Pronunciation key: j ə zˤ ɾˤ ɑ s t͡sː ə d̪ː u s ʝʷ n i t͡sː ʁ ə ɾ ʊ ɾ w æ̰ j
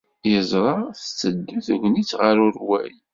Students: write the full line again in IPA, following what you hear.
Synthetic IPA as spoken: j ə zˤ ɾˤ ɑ θ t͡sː ə d̪ː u θ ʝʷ n i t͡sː ʁ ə ɾ ʊ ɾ w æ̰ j